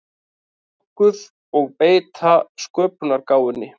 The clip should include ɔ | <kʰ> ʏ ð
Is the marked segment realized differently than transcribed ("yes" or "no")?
yes